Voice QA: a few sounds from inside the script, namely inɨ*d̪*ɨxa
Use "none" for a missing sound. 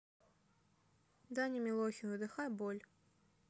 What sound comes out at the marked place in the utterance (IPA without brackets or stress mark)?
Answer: d̪